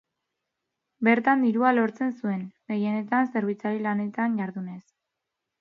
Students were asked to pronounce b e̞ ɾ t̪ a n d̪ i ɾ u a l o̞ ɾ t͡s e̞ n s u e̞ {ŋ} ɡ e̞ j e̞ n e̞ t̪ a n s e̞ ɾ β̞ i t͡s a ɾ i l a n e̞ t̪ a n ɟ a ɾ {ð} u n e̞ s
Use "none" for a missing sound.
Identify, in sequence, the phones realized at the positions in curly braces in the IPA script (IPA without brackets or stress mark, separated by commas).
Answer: n, ð